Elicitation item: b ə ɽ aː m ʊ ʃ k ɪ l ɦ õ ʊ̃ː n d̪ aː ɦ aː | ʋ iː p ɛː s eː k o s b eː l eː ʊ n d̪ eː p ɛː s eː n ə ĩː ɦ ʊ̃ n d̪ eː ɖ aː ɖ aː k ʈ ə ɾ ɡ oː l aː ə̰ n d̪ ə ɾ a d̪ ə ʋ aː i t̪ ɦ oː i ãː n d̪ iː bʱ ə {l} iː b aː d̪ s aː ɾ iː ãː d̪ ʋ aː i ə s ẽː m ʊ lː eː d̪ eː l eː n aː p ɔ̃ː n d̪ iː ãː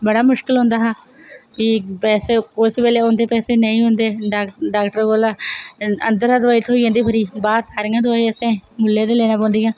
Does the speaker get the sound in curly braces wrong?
yes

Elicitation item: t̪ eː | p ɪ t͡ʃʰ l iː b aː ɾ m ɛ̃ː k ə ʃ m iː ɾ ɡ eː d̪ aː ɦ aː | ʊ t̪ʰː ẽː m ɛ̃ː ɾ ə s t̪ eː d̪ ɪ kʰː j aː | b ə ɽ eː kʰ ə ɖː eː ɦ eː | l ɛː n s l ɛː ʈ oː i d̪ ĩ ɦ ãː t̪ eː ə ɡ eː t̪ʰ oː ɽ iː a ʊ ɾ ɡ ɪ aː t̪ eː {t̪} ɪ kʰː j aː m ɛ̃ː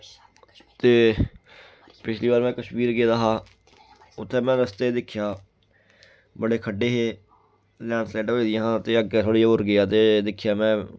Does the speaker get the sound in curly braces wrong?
yes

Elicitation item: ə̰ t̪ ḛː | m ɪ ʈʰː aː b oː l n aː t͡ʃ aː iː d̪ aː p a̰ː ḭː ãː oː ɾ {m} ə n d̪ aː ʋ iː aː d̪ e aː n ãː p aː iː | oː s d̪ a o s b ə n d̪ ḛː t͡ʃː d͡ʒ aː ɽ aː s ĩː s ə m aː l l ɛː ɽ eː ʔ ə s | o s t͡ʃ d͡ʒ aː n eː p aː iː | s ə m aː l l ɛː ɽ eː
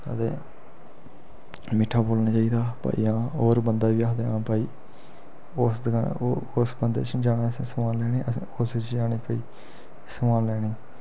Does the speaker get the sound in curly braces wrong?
yes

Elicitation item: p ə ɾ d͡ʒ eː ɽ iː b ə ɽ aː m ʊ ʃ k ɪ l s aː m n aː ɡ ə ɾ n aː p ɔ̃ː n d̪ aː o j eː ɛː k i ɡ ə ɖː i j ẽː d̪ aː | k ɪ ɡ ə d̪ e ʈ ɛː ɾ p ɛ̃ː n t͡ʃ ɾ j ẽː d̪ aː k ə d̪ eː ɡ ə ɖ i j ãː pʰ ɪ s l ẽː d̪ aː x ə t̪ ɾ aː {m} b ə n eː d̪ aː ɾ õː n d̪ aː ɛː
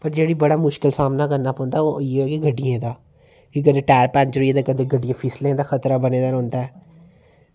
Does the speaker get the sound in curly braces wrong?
yes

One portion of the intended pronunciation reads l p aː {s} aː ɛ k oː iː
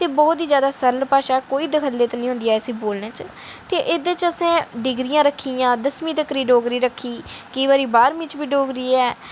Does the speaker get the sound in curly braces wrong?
yes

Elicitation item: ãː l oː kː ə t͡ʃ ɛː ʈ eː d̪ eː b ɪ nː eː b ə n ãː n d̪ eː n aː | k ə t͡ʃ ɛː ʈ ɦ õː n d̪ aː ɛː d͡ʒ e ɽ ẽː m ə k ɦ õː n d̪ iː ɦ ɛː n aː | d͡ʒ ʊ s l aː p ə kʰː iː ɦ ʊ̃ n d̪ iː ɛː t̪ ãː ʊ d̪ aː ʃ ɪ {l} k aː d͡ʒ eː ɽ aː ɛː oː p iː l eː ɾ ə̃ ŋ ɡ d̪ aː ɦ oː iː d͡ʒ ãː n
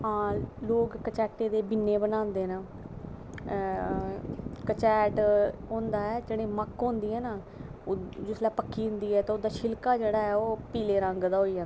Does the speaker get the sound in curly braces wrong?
no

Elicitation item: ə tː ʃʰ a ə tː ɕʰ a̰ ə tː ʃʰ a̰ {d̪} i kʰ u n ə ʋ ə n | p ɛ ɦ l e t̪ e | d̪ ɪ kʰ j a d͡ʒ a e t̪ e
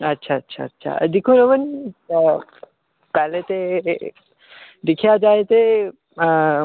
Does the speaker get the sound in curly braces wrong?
no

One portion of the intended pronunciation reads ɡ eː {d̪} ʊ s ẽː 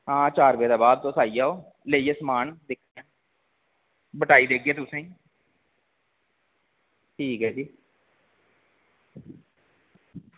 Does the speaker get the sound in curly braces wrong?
yes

